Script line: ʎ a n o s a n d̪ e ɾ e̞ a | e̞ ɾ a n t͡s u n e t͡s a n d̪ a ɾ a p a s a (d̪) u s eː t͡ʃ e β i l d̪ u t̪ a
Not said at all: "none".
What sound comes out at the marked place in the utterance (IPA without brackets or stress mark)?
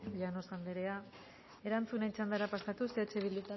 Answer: t̪